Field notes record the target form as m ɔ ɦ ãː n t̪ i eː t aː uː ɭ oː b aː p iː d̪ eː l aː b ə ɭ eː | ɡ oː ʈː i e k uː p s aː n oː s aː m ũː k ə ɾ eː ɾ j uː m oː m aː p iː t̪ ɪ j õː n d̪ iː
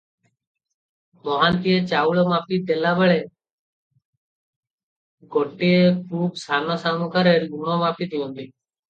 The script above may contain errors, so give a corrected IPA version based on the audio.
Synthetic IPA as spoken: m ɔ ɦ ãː n t̪ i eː t͡ʃ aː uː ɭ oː m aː p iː d̪ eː l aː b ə ɭ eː | ɡ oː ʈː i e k uː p s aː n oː s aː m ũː k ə ɾ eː ɾ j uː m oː m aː p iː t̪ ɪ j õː n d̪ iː